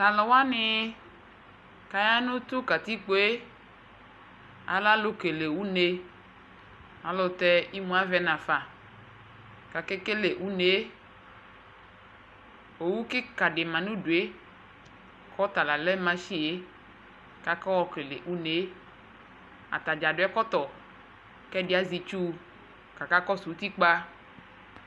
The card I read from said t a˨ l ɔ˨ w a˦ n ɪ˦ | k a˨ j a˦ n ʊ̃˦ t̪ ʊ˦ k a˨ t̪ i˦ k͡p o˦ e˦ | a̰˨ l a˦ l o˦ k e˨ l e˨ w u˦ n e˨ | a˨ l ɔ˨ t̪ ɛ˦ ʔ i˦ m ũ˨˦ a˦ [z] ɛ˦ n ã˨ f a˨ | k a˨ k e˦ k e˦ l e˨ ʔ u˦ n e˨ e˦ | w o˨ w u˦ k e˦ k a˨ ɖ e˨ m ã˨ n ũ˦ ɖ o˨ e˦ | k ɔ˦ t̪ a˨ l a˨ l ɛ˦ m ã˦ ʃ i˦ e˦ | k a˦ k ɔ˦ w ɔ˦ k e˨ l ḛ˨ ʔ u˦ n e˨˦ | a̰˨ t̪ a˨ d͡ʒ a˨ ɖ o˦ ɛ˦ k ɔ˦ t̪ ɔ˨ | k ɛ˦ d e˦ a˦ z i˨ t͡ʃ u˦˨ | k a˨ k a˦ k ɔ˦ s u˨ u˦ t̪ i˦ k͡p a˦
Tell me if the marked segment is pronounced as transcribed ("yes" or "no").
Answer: no